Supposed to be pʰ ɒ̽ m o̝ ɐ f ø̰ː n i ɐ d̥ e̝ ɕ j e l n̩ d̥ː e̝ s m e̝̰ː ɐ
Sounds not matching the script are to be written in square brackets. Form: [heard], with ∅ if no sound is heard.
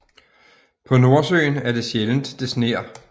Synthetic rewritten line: pʰ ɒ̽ [n] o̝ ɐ [s] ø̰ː n [æ] ɐ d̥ e̝ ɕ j e l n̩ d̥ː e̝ s [n] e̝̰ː ɐ